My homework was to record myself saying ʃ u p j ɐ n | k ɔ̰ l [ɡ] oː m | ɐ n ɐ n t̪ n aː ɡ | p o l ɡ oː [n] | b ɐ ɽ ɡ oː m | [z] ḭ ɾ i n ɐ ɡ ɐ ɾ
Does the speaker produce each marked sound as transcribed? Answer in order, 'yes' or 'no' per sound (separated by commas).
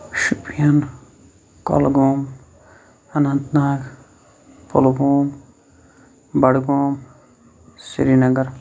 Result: yes, no, no